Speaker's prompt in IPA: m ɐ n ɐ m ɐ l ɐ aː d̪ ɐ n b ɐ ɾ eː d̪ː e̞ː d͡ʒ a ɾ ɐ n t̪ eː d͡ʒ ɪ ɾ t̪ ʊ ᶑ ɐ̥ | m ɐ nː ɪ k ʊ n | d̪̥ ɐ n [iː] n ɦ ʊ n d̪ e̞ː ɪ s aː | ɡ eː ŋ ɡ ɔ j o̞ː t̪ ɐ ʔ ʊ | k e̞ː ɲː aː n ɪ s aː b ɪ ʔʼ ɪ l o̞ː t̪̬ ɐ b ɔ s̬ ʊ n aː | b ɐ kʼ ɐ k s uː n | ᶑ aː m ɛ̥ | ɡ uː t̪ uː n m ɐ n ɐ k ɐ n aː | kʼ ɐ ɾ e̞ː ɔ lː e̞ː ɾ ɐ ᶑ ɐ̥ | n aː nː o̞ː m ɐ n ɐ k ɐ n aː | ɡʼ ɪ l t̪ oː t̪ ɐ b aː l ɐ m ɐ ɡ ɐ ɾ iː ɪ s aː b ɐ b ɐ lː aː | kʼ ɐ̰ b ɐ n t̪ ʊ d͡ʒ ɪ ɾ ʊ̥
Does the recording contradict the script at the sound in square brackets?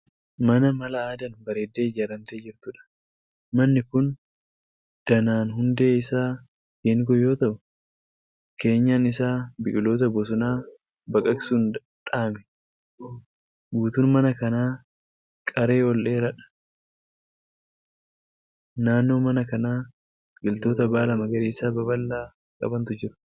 yes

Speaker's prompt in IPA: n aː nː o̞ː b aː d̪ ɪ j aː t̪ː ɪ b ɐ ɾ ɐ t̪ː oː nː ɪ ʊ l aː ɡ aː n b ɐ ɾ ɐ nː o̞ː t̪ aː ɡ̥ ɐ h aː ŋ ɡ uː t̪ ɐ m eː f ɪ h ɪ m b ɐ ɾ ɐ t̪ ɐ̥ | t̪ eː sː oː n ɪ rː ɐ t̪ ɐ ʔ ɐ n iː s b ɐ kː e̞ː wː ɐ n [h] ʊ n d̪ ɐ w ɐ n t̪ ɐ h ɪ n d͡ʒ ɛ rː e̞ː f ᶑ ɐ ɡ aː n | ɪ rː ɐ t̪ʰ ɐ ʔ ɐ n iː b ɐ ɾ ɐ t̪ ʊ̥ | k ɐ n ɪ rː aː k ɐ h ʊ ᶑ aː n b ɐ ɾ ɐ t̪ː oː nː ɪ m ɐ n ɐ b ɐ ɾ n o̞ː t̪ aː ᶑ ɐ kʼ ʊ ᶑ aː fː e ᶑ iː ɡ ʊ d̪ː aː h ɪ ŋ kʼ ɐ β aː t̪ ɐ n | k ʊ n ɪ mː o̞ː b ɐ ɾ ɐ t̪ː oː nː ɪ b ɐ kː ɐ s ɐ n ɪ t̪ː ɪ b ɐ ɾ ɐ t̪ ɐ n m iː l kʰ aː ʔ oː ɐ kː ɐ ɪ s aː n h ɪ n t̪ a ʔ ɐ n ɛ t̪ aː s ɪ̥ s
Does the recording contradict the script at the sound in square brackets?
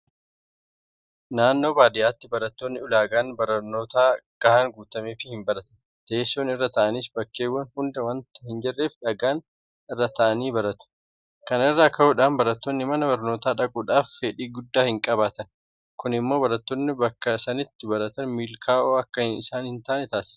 no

